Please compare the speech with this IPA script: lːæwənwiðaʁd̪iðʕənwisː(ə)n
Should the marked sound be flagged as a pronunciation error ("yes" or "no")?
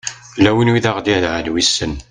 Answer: no